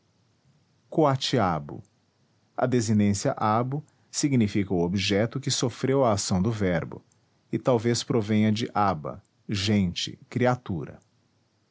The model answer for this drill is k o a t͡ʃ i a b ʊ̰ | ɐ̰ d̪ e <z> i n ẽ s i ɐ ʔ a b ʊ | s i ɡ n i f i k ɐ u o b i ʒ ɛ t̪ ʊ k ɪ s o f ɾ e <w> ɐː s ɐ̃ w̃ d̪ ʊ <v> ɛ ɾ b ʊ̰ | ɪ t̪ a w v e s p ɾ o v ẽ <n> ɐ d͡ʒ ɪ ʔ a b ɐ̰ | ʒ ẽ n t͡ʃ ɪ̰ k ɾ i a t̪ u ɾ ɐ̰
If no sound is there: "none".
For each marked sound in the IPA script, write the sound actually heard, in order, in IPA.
z, w, v, ɲ

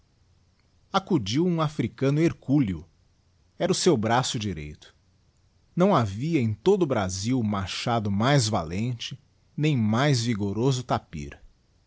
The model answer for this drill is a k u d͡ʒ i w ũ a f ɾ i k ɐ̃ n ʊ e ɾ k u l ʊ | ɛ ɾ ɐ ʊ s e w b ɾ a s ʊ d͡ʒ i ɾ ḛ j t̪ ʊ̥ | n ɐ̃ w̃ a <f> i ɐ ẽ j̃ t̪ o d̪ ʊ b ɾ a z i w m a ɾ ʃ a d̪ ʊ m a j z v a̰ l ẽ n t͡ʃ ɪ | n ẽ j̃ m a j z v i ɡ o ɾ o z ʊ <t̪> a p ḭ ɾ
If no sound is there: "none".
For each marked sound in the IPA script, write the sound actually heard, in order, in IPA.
v, t̪

